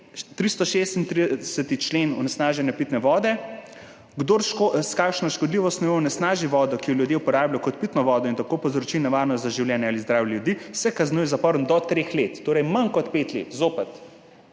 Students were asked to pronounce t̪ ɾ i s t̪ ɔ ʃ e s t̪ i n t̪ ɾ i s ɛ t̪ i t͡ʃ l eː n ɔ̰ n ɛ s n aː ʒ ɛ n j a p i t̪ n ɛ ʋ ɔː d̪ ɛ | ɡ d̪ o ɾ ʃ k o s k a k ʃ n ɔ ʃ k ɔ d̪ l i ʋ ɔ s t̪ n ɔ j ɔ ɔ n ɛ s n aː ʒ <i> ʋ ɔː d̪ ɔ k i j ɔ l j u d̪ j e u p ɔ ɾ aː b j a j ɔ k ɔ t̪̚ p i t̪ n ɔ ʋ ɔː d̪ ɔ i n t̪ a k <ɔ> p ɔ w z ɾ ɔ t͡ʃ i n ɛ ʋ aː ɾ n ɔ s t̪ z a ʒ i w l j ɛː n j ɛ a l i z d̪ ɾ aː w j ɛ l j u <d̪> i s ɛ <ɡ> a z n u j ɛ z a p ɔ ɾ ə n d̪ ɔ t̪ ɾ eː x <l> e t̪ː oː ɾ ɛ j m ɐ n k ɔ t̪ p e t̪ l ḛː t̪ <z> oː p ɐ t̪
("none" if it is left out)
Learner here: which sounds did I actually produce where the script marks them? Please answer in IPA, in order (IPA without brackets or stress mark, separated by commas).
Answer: i, o, d̪, k, l, z